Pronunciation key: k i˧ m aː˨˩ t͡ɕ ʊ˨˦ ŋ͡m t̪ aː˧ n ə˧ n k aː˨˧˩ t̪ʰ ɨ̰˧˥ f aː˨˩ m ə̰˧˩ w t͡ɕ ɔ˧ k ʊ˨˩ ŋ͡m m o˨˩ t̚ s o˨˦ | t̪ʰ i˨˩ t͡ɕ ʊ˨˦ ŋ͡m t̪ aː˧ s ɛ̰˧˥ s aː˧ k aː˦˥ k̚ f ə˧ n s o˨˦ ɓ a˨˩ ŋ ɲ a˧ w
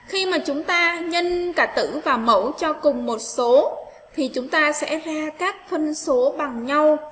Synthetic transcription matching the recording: x i˧ m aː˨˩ t͡ɕ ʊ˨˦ ŋ͡m t̪ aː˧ ɲ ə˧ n k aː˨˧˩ t̪ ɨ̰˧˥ v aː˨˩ m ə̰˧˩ w t͡ɕ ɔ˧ k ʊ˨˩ ŋ͡m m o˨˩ t̚ s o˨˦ | t̪ʰ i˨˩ t͡ɕ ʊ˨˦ ŋ͡m t̪ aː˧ s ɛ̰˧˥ z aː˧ k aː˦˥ k̚ f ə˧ n s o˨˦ ɓ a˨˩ ŋ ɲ a˧ w